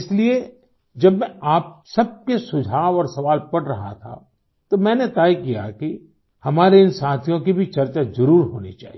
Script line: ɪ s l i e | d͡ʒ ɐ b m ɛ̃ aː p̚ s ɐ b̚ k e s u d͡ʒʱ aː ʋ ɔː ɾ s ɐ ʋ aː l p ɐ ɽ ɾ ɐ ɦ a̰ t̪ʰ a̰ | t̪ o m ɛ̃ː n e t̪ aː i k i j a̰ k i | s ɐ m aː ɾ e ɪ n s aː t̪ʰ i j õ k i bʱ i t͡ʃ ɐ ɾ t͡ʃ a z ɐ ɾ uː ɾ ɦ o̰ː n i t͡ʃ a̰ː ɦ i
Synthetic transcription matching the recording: ɪ s l i e | d͡ʒ ɐ b m ɛ̃ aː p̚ s ɐ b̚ k e s ʊ d͡ʒʱ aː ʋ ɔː ɾ s ɐ ʋ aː l p ɐ ɽ ɾ ɐ ɦ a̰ t̪ʰ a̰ | t̪ o m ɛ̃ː n e t̪ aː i k i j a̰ k i | h ɐ m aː ɾ e ɪ n s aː t̪ʰ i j õ k i bʱ i t͡ʃ ɐ ɾ t͡ʃ a z ɐ ɾ uː ɾ ɦ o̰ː n i t͡ʃ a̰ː ɦ i